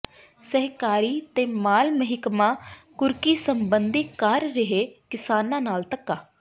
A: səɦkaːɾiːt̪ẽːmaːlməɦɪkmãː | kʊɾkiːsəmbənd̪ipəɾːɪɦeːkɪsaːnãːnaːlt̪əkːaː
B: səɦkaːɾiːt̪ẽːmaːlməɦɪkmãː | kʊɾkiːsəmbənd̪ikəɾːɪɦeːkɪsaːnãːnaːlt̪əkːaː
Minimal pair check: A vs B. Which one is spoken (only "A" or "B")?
B